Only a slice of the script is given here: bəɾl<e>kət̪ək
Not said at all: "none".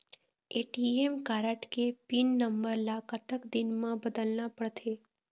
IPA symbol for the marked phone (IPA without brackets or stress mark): a